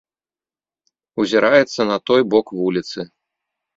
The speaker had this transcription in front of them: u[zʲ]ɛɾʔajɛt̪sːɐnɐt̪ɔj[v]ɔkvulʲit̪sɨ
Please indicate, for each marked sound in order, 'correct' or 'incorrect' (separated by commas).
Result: correct, incorrect